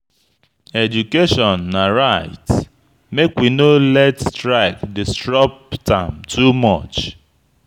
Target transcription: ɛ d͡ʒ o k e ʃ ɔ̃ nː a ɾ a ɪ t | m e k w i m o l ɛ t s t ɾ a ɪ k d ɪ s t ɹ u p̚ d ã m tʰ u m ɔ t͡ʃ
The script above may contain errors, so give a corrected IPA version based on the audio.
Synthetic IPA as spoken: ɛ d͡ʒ u k e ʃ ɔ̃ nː a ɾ a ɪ t | m e k w i n o l ɛ t s t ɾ a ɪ k d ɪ s t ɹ ɔ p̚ t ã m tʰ u m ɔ t͡ʃ